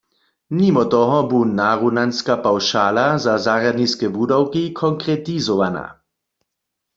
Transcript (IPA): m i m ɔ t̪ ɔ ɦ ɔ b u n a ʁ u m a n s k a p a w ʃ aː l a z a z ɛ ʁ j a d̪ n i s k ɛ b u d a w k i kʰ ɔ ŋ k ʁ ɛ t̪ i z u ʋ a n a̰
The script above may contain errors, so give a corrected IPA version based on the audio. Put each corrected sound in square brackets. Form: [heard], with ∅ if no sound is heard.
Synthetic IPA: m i m ɔ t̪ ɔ ɦ ɔ b u n a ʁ u [n] a n s k a p a w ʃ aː l a z a z [a] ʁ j a d̪ n i s k ɛ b u d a w k i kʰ ɔ ŋ k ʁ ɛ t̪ i z [ɔ] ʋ a n a̰

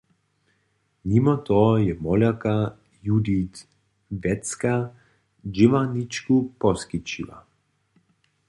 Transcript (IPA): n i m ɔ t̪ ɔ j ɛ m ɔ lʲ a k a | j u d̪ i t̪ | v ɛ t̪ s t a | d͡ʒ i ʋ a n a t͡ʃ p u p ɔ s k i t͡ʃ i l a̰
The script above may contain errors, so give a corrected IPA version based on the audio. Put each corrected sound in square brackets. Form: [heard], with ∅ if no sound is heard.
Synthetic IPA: n i m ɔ t̪ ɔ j ɛ m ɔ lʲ a k a | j u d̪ i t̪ | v ɛ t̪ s [k] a | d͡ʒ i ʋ a n [i] t͡ʃ [k] u p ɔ s k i t͡ʃ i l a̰

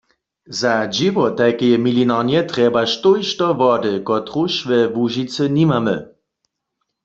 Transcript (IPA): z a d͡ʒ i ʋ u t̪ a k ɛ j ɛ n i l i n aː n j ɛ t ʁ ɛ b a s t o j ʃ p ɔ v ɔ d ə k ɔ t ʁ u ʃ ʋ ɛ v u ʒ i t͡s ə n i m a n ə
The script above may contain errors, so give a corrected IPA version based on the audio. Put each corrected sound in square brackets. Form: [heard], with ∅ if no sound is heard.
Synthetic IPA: z a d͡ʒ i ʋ [ɔ] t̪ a k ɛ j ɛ [m] i l i n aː n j ɛ t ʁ ɛ b a [ʃ] t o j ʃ [t] ɔ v ɔ d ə k ɔ t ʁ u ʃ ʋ ɛ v u ʒ i t͡s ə n i m a [m] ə

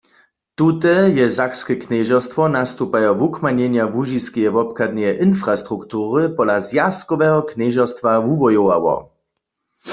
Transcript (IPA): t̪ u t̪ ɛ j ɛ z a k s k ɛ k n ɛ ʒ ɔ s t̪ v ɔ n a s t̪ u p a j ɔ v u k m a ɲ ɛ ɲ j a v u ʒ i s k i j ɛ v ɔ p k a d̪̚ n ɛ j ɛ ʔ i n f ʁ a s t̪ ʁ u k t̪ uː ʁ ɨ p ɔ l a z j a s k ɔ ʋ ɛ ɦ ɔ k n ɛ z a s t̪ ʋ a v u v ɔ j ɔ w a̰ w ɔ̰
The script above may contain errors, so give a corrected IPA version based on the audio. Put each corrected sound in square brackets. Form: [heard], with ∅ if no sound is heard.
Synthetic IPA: t̪ u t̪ ɛ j ɛ z a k s k ɛ k n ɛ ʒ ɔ s t̪ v ɔ n a s t̪ u p a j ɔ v u k m a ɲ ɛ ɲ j a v u ʒ i s k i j ɛ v ɔ p k a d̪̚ n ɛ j ɛ ʔ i n f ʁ a s t̪ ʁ u k t̪ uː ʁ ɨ p ɔ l a z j a s k ɔ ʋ ɛ ɦ ɔ k n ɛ [ʒ] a s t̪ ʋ a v u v ɔ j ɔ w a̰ w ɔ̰

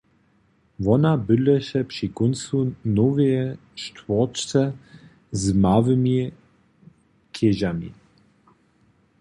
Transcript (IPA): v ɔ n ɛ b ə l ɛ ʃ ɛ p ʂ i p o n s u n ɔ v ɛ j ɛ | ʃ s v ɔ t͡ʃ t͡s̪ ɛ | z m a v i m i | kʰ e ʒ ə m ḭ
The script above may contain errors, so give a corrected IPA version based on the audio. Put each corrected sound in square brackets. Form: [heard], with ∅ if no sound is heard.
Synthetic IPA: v ɔ n [a] b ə l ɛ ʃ ɛ p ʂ i [k] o n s u n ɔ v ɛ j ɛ | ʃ [t] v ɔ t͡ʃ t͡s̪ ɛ | z m a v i m i | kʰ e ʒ [a] m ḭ

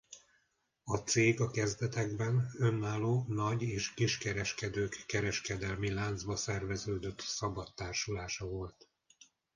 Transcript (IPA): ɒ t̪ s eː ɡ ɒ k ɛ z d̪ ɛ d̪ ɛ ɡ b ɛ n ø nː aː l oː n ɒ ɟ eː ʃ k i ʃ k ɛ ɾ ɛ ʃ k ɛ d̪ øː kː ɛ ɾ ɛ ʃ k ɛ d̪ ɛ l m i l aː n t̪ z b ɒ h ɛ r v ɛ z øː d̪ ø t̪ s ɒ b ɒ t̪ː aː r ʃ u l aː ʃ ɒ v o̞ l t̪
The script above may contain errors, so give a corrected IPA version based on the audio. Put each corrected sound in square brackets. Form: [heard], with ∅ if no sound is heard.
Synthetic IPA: ɒ t̪ s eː ɡ ɒ k ɛ z d̪ ɛ [t̪] ɛ ɡ b ɛ n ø nː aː l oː n ɒ ɟ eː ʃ k i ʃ k ɛ ɾ ɛ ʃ k ɛ d̪ øː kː ɛ ɾ ɛ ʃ k ɛ d̪ ɛ l m i l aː n [d̪] z b ɒ [s] ɛ r v ɛ z øː d̪ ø t̪ s ɒ b ɒ t̪ː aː r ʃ u l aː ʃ ɒ v o̞ l t̪

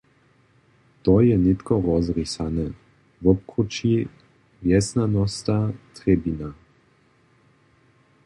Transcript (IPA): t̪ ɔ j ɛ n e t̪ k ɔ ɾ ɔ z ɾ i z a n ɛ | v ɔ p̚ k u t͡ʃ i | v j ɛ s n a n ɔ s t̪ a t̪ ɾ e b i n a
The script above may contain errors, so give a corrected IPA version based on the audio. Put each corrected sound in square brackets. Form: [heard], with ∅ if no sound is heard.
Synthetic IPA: t̪ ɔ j ɛ n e t̪ k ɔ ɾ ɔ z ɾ i [s] a n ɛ | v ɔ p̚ k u t͡ʃ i | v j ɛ s n a n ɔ s t̪ a t̪ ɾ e b i n a

